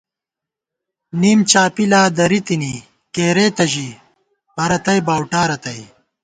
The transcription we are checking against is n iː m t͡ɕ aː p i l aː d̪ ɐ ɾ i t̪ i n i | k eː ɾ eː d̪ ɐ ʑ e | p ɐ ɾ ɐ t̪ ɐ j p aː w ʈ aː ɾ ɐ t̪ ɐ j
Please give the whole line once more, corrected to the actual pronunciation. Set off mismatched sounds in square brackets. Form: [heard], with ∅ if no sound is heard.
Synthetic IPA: n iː m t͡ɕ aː p i l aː d̪ ɐ ɾ i t̪ i n i | k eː ɾ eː [t̪] ɐ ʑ [i] | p ɐ ɾ ɐ t̪ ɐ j [b] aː w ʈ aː ɾ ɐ t̪ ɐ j